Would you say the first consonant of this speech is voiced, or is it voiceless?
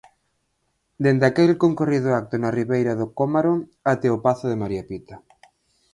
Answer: voiced